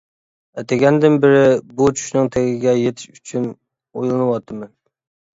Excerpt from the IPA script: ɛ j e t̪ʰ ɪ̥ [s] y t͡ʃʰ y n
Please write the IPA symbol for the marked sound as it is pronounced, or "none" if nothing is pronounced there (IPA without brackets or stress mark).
ʃ